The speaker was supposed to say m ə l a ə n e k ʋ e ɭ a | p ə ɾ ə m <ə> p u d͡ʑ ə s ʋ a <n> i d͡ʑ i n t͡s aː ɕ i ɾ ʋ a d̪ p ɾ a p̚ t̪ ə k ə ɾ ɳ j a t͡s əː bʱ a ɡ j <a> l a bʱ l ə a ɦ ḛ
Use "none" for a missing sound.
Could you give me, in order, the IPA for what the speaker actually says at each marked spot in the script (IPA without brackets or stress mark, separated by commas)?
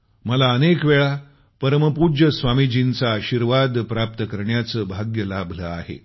ə, m, ə